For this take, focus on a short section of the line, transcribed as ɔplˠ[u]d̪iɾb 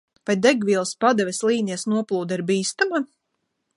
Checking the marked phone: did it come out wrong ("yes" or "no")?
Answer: yes